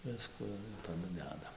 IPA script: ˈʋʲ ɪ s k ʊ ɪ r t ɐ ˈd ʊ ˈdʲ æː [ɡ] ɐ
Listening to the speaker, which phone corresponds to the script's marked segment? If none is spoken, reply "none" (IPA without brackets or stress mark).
d